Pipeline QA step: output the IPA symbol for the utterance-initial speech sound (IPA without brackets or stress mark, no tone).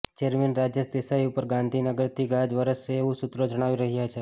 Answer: t͡ʃ